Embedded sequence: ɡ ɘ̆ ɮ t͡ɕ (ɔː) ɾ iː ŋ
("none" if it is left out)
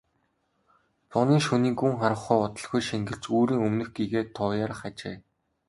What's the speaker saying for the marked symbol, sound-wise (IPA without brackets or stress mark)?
uː